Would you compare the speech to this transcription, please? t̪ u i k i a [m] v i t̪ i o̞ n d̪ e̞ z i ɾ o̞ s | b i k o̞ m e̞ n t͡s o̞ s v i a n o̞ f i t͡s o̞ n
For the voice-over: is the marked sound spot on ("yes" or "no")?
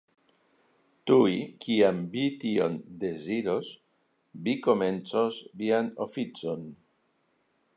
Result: yes